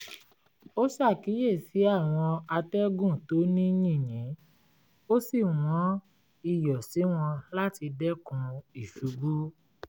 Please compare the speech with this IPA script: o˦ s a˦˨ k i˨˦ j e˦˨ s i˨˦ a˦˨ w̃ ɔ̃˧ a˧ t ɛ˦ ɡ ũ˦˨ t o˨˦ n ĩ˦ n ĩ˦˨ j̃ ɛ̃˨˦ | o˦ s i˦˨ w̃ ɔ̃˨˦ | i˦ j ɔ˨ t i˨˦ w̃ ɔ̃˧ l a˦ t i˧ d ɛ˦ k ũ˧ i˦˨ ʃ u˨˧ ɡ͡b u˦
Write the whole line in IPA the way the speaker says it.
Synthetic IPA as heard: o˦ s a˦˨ k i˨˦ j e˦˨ s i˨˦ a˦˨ w̃ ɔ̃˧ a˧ t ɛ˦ ɡ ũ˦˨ t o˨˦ n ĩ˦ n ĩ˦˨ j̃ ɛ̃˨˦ | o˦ s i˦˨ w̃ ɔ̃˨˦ | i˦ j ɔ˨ s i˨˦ w̃ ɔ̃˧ l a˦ t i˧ d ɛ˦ k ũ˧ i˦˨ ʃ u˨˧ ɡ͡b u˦